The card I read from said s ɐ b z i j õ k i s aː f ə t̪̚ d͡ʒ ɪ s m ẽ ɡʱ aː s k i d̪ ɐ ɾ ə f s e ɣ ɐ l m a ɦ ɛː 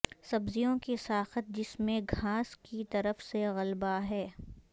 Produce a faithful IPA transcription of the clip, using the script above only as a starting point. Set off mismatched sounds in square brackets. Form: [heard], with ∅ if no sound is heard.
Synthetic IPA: s ɐ b z i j õ k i s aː [x] ə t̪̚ d͡ʒ ɪ s m ẽ ɡʱ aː s k i [t̪] ɐ ɾ ə f s e ɣ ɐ l [b] a ɦ ɛː